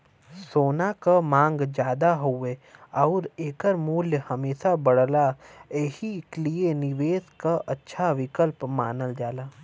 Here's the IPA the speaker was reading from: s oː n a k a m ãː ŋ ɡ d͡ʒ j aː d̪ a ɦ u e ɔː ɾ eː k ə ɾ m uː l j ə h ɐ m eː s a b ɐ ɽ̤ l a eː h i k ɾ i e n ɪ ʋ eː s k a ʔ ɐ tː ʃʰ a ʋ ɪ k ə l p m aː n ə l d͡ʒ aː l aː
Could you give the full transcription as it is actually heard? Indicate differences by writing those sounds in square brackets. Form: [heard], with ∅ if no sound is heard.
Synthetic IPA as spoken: s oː n a k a m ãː ŋ ɡ d͡ʒ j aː d̪ a ɦ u e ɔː ɾ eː k ə ɾ m uː l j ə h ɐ m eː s a b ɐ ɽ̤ l a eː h i k [l] i e n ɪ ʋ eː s k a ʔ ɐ tː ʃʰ a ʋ ɪ k ə l p m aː n ə l d͡ʒ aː l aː

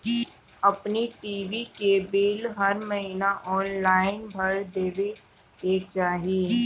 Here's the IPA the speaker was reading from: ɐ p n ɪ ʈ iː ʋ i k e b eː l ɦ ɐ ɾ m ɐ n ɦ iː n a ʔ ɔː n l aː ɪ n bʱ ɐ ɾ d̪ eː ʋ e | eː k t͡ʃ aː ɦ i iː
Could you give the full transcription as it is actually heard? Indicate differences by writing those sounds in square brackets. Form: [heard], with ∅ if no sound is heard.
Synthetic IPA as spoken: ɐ p n [i] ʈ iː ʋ i k e b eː l ɦ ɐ ɾ m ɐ [∅] ɦ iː n a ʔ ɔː n l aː ɪ n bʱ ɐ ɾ d̪ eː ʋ e | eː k t͡ʃ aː ɦ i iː

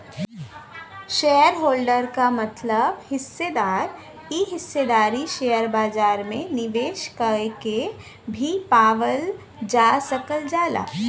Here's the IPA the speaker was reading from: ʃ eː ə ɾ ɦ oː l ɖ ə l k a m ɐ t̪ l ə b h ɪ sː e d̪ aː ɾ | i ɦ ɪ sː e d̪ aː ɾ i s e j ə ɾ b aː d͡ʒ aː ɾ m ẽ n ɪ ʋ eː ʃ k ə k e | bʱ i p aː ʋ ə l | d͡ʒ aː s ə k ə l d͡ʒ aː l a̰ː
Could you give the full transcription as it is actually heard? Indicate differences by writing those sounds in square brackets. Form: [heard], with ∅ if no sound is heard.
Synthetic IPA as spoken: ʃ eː ə ɾ ɦ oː l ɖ ə [ɾ] k a m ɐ t̪ l ə b h ɪ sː e d̪ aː ɾ | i ɦ ɪ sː e d̪ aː ɾ i [ʃ] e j ə ɾ b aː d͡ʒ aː ɾ m ẽ n ɪ ʋ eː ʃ k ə k e | bʱ i p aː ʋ ə l | d͡ʒ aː s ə k ə l d͡ʒ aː l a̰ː

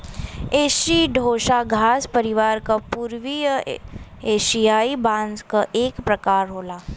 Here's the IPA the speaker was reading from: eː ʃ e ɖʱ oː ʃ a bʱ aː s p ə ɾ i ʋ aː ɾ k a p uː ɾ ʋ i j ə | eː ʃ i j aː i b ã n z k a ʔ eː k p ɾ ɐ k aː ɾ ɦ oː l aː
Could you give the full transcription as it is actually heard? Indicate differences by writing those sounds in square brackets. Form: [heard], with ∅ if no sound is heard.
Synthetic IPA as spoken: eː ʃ [i] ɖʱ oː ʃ a [ɡʱ] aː s p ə ɾ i ʋ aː ɾ k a p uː ɾ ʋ i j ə | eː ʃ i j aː i b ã n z k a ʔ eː k p ɾ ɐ k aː ɾ ɦ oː l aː

